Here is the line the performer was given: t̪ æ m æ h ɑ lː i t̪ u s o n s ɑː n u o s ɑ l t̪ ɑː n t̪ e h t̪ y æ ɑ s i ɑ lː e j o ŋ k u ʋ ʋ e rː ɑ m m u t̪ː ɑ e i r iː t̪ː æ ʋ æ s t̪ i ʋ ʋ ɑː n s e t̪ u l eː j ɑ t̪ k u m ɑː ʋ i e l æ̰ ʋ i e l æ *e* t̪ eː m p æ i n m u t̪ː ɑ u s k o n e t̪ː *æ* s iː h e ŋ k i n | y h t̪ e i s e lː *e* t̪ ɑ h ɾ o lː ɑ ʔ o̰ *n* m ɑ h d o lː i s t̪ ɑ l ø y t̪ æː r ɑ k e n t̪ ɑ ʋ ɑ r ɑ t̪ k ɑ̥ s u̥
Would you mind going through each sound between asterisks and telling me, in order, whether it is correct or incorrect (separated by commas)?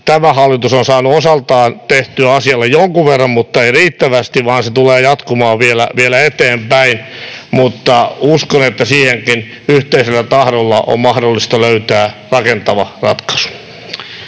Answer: correct, correct, incorrect, incorrect